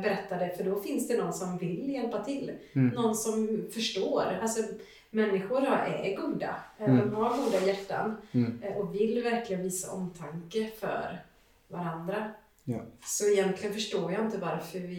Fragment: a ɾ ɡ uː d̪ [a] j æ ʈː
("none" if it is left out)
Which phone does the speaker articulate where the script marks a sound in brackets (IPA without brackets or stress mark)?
a